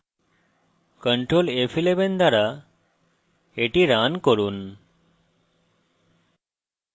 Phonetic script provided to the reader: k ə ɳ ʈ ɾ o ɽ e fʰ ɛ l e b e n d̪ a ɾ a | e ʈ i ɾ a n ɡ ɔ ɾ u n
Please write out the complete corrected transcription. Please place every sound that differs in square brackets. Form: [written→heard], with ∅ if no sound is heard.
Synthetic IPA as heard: k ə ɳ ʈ ɾ o [ɽ→l] e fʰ [ɛ→i] l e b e n d̪ a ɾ a | e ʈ i ɾ a n [ɡ→k] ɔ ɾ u n